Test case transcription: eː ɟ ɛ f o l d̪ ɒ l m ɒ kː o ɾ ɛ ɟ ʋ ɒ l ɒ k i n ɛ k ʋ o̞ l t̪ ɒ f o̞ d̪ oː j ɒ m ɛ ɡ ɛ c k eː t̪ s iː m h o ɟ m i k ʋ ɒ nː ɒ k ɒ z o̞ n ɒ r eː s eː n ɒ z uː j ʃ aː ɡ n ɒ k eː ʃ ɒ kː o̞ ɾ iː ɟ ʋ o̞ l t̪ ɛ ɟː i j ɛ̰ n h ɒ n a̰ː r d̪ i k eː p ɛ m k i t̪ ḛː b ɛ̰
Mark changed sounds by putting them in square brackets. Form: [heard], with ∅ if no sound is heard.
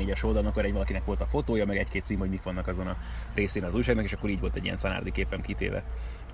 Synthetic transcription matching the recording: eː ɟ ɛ [ʃ] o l d̪ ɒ l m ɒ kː o ɾ ɛ ɟ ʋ ɒ l ɒ k i n ɛ k ʋ o̞ l t̪ ɒ f o̞ [t̪] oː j ɒ m ɛ ɡ ɛ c k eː t̪ s iː m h o ɟ m i k ʋ ɒ nː ɒ k ɒ z o̞ n ɒ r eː s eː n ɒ z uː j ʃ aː ɡ n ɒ k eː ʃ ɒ kː o̞ ɾ iː ɟ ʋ o̞ l t̪ ɛ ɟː i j ɛ̰ n [s] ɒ n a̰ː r d̪ i k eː p ɛ m k i t̪ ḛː [v] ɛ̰